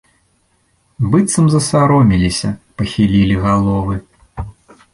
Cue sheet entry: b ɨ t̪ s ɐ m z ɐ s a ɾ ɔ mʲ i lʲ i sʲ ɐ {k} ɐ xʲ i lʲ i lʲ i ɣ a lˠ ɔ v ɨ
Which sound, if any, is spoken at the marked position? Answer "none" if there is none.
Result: p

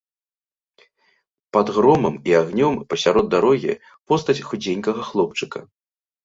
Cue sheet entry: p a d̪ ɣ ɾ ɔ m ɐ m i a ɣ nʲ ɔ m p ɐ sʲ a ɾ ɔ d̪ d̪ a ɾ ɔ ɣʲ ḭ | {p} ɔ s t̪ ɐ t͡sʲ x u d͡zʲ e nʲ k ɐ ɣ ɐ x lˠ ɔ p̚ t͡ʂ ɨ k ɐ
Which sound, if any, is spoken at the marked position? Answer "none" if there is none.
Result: p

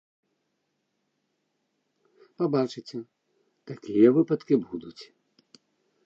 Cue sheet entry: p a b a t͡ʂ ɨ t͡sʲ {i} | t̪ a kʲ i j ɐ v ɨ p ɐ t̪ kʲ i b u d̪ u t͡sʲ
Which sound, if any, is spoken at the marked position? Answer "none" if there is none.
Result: ɛ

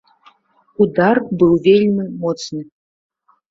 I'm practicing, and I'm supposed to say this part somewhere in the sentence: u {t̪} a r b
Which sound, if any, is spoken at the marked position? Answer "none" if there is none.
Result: d̪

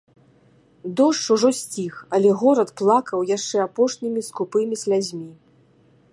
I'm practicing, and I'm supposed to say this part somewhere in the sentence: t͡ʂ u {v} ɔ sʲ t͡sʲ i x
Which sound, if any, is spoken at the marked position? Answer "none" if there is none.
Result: ʐ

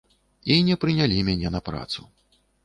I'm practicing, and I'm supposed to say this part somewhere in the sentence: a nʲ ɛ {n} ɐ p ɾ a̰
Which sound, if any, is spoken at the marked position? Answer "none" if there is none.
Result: n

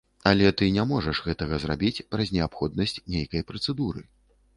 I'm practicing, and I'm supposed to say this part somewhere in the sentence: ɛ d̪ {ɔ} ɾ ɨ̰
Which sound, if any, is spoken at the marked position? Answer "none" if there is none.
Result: u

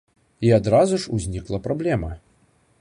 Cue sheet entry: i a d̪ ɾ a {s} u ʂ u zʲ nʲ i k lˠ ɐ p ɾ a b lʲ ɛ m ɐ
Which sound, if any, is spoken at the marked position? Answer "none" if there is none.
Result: z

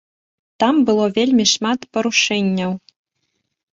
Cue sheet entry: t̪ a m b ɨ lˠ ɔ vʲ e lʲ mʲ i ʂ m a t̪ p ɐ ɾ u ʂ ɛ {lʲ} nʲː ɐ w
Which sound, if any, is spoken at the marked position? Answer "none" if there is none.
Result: none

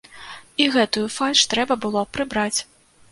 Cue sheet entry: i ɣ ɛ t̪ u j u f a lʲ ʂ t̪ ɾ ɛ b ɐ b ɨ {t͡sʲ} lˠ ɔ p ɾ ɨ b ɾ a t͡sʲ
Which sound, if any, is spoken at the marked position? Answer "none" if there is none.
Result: none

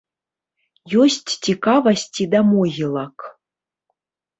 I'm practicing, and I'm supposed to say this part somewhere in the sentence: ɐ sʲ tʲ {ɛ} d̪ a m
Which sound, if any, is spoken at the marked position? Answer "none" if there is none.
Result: i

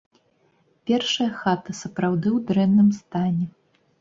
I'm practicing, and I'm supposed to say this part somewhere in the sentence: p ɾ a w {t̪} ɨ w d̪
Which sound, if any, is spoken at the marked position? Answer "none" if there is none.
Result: d̪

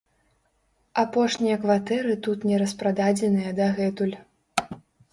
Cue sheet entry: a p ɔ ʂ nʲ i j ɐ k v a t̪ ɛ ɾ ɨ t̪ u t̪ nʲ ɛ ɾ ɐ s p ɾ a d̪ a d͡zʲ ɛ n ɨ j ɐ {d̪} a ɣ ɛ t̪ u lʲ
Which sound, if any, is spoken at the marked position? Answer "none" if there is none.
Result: d̪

